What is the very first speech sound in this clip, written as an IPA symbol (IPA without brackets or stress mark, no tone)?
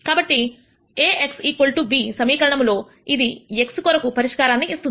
k